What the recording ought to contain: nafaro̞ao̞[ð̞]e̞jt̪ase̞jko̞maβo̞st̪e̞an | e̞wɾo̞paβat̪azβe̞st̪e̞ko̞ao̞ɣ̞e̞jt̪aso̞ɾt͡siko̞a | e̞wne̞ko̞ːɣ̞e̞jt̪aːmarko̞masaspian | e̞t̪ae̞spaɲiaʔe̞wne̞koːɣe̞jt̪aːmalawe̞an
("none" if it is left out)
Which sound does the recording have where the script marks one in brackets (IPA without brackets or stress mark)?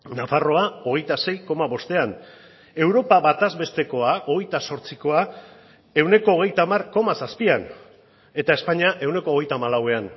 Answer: ɣ̞